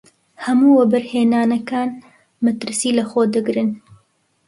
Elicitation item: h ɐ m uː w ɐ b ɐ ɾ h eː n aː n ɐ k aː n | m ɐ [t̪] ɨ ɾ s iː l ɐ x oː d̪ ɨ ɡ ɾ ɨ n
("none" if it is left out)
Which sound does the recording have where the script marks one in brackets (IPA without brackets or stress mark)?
t̪